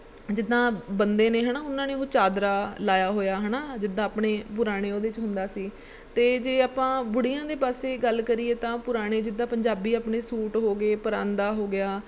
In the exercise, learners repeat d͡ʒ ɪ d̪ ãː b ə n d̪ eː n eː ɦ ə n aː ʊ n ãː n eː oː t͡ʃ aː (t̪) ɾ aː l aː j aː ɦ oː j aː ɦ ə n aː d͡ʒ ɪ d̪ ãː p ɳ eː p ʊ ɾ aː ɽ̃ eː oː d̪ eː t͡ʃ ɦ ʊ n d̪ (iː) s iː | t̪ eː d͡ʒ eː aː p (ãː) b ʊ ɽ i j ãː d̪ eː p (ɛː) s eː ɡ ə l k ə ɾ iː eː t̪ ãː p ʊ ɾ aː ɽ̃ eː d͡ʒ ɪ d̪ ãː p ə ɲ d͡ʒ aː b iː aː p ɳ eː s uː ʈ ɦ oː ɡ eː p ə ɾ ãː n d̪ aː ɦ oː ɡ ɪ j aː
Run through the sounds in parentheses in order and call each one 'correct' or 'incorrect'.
incorrect: d̪, incorrect: aː, correct, incorrect: aː

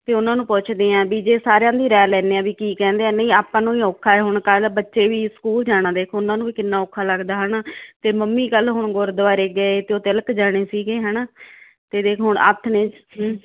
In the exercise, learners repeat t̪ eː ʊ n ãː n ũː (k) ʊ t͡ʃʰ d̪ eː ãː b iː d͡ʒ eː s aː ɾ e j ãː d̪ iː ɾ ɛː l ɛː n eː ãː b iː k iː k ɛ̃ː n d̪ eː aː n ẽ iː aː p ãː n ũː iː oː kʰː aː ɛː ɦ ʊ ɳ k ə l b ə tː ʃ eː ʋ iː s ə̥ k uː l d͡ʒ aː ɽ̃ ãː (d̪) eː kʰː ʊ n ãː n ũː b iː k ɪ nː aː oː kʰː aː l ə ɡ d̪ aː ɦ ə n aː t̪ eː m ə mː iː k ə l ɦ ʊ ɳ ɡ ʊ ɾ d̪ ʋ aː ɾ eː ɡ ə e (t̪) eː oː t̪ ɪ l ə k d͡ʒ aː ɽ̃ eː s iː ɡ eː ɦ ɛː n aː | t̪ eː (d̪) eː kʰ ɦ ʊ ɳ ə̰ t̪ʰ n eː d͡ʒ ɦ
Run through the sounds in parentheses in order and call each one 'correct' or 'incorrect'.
incorrect: p, correct, correct, correct

